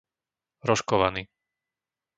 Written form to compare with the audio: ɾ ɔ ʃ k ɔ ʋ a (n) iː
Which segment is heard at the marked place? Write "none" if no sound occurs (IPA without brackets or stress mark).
n